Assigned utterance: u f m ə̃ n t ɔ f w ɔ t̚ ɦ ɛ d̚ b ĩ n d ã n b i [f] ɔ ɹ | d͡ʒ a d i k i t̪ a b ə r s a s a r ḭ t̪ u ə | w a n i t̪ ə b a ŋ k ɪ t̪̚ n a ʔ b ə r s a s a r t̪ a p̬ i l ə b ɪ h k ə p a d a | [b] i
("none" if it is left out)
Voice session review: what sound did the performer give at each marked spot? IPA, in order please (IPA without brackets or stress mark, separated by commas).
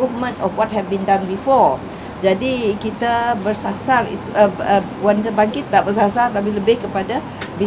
f, b